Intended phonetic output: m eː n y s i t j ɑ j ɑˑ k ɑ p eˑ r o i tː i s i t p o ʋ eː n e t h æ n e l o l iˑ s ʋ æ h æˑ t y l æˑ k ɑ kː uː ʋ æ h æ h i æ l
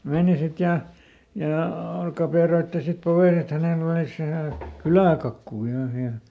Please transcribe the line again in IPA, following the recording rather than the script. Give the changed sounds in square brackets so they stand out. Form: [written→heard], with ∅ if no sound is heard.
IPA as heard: m eː n [y→i] s i t j ɑ j ɑˑ k ɑ p eˑ r o i tː i s i t p o ʋ eː n e t h æ n e l o l iˑ s ʋ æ h æˑ [t→k] y l æˑ k ɑ kː uː ʋ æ h æ h i æ l